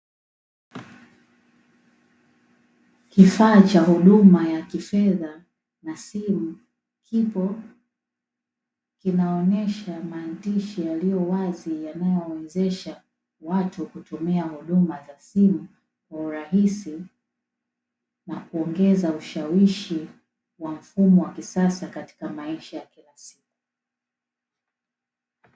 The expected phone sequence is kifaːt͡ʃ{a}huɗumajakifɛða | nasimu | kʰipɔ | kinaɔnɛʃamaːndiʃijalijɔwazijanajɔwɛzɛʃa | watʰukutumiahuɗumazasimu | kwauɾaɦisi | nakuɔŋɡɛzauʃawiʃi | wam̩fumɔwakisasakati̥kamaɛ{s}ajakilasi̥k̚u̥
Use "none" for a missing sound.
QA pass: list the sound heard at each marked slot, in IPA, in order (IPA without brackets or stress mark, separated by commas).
a, ʃ